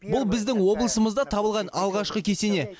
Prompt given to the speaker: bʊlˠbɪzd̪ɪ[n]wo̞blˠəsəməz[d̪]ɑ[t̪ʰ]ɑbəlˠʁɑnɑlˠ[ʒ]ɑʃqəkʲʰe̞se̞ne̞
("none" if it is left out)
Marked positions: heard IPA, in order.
ŋ, d̪, t̪ʰ, ʁ

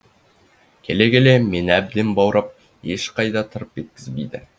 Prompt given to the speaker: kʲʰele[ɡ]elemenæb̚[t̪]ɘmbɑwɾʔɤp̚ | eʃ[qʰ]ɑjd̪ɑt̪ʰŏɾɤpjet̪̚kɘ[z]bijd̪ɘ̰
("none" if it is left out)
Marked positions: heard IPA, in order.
ɡ, d̪, q, z

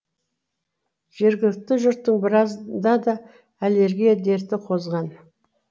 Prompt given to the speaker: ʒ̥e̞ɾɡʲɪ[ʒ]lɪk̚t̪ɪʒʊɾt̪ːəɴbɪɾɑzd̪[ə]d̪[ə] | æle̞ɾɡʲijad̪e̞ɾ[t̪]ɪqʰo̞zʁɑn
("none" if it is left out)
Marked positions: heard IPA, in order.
none, ɑ, ɑ, t̪

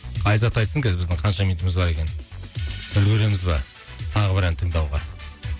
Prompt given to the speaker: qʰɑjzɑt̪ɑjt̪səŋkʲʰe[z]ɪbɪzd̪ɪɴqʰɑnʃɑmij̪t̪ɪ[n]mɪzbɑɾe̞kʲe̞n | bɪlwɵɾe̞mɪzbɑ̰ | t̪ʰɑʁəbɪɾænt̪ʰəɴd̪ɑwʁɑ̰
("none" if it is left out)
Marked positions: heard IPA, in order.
z, none

